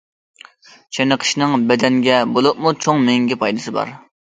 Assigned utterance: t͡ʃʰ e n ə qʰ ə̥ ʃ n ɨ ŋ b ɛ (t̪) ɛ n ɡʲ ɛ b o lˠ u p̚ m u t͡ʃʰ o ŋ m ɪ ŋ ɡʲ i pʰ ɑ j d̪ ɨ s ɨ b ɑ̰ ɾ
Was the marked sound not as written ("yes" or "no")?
yes